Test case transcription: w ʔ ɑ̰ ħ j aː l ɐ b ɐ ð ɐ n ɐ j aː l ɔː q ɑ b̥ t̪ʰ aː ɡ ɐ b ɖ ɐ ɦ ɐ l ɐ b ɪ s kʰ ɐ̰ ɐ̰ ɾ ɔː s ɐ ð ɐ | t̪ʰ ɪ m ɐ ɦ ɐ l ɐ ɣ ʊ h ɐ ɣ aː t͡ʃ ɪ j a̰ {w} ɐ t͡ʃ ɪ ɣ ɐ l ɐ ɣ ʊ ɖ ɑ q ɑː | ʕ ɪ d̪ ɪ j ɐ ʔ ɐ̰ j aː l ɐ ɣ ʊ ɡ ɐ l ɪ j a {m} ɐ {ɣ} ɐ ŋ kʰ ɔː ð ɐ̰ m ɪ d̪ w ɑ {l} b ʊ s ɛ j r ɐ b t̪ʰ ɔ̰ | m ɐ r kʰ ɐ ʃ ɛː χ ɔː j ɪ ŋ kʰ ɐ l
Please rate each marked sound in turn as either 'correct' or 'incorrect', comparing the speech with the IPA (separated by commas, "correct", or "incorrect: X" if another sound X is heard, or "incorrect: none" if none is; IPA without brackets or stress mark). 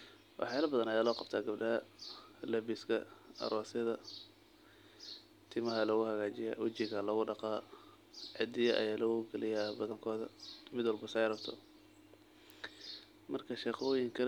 correct, incorrect: b, incorrect: ð, correct